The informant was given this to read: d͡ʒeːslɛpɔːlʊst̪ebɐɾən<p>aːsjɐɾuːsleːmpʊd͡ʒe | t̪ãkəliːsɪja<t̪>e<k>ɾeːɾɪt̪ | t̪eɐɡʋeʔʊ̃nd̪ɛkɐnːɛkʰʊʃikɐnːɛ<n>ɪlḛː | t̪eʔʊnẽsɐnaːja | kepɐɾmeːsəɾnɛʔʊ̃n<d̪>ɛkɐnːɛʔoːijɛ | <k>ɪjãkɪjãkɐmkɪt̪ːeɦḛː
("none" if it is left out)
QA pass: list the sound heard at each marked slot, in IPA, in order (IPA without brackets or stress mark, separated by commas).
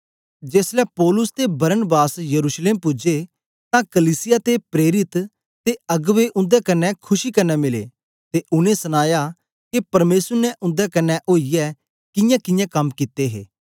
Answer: b, t̪, p, m, d̪, k